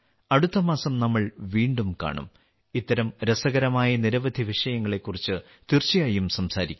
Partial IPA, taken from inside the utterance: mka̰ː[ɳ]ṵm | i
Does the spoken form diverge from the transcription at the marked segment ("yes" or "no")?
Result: no